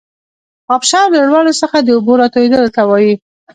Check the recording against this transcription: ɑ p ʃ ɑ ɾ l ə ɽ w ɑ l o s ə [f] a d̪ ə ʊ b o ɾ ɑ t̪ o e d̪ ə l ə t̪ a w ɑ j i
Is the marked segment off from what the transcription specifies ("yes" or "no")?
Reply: yes